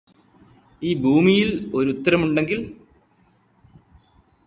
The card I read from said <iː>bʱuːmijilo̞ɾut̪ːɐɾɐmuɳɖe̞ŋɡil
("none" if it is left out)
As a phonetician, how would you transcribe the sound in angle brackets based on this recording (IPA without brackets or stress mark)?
iː